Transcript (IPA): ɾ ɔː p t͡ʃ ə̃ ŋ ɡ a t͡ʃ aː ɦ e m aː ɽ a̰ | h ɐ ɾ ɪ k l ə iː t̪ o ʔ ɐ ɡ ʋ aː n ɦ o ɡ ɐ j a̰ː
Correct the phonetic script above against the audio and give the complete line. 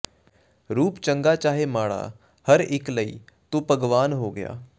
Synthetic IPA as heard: ɾ uː p t͡ʃ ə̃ ŋ ɡ a t͡ʃ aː ɦ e m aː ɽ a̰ | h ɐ ɾ ɪ k l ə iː t̪ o p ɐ ɡ ʋ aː n ɦ o ɡ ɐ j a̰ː